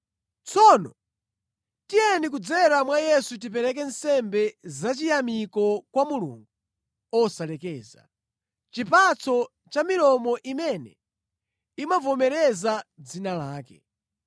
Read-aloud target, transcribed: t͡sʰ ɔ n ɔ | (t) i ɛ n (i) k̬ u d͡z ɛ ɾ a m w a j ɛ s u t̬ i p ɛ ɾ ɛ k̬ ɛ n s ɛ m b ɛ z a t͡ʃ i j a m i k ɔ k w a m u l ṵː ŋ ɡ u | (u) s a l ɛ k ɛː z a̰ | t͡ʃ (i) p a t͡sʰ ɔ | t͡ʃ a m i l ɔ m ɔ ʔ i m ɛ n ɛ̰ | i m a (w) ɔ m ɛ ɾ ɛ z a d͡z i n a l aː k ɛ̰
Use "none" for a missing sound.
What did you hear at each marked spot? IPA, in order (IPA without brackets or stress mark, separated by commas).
t, i, ɔ, i, v